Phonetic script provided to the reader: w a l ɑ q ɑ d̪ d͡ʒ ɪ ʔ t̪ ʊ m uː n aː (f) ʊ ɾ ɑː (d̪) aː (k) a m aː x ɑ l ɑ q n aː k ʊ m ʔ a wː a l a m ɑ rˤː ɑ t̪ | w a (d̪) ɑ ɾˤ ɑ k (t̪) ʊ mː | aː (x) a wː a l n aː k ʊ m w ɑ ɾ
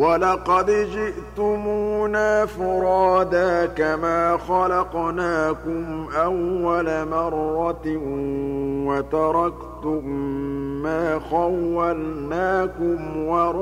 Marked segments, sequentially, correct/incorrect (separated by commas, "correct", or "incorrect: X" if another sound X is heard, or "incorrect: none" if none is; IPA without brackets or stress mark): correct, correct, correct, incorrect: t̪, correct, correct